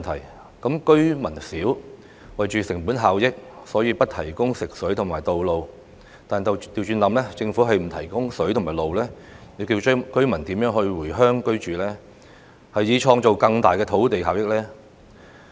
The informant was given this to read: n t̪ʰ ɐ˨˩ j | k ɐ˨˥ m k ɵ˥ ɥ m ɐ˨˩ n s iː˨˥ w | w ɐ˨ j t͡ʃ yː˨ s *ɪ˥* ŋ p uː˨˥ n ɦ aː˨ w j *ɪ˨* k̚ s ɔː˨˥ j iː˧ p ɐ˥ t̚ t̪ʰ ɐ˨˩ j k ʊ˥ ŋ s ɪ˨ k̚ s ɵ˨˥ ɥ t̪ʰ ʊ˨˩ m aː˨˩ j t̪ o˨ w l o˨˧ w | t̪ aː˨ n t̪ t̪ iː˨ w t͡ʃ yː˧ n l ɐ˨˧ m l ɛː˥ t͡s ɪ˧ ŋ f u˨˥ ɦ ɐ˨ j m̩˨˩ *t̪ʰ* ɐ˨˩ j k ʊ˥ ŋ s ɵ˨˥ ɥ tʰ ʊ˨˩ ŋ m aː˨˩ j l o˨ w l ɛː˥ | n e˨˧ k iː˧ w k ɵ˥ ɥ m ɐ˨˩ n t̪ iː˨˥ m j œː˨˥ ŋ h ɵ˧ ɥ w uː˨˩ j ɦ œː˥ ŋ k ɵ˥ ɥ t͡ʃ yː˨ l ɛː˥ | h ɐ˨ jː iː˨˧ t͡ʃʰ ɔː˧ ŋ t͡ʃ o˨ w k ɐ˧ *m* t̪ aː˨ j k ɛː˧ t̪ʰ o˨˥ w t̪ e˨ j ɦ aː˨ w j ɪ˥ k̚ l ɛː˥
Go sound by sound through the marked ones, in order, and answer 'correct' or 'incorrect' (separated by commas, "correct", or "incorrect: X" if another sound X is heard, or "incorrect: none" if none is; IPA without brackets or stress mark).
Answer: incorrect: ɪ˨˩, incorrect: ɪ˥, correct, incorrect: ŋ